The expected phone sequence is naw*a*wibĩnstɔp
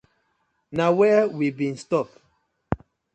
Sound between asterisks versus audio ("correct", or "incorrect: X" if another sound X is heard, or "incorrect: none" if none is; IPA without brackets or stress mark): incorrect: ɛ